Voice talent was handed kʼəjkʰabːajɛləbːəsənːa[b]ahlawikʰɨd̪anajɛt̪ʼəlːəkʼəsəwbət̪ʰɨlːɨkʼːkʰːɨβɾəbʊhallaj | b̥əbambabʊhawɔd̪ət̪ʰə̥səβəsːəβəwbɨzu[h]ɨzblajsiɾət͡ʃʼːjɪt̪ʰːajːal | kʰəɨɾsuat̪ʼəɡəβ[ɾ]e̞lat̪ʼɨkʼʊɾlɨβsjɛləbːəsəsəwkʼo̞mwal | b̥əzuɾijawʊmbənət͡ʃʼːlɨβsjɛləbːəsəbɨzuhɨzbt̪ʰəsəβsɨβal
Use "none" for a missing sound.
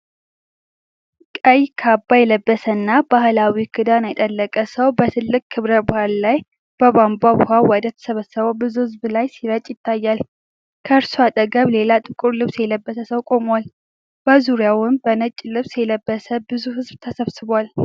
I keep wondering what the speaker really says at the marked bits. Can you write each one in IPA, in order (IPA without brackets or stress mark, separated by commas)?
b, h, l